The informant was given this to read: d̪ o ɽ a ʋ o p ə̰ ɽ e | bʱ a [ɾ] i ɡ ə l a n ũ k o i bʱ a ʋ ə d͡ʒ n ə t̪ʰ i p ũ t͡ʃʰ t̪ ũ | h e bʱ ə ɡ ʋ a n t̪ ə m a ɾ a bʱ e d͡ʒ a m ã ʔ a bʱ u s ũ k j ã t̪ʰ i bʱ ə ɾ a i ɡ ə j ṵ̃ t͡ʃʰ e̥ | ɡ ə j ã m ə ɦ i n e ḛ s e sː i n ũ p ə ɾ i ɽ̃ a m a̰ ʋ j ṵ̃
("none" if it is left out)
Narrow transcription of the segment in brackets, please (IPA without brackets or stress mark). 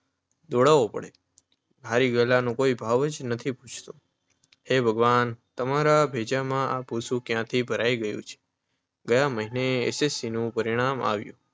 ɾ